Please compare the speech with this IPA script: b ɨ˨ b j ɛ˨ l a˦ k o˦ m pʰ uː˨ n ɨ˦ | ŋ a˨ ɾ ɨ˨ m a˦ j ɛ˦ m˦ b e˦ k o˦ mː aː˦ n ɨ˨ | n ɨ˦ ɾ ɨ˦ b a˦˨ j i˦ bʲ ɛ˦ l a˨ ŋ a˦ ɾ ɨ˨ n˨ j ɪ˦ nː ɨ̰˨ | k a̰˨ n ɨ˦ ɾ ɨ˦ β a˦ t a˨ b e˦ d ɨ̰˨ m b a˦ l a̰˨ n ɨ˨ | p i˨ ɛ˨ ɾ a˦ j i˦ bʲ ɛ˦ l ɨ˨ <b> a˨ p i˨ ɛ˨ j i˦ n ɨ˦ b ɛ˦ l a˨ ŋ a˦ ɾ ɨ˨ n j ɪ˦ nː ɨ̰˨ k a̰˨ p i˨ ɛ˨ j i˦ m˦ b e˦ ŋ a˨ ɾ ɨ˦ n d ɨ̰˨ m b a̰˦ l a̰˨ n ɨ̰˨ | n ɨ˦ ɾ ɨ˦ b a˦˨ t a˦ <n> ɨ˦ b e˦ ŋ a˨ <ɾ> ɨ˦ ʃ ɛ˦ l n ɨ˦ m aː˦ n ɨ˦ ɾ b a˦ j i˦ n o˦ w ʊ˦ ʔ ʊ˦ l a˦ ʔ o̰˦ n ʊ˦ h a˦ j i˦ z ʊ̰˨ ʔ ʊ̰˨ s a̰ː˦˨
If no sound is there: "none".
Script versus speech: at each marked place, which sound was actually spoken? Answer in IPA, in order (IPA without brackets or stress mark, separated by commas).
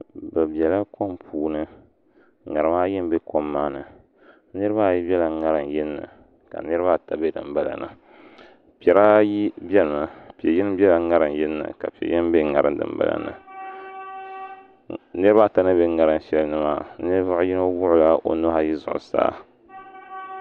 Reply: m, n, ɾ